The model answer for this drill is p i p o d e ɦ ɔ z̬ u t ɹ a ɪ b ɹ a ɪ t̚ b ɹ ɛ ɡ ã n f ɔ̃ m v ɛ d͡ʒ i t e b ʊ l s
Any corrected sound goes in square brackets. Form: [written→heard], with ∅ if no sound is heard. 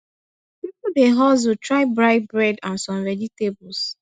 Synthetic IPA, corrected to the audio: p i p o d e ɦ ɔ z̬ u t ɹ a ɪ b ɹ a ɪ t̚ b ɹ ɛ [ɡ→d] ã n [f→s] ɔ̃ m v ɛ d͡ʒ i t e b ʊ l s